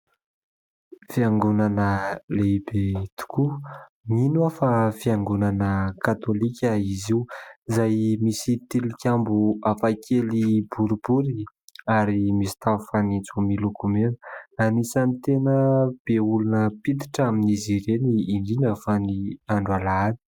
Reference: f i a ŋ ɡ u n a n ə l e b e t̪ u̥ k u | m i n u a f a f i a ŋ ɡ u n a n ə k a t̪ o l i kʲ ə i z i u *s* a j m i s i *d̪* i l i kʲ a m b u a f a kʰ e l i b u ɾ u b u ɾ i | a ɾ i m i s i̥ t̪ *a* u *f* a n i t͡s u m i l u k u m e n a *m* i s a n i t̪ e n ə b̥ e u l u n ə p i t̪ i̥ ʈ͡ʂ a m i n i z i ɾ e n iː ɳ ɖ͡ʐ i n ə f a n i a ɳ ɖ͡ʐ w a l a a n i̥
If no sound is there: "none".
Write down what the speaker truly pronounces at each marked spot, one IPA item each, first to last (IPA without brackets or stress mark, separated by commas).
z, t̪, a, f, n